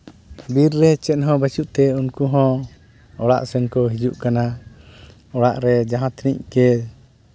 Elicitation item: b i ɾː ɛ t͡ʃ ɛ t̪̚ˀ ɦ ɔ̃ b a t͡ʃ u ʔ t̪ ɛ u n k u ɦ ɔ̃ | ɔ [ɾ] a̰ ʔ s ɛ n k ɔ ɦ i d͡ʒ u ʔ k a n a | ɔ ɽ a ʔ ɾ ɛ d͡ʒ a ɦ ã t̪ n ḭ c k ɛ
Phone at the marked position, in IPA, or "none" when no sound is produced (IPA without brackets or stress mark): ɽ